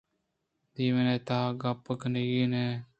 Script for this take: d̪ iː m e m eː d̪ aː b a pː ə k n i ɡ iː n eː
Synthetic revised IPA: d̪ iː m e n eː t̪ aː ɡ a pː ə k n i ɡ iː n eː